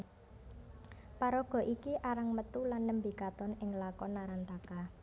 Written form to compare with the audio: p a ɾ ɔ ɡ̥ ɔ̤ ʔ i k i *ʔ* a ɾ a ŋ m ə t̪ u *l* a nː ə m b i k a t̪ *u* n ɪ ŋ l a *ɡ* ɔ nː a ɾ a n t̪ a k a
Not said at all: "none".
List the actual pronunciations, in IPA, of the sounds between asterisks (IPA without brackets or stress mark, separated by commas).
ʔ, l, ɔ, k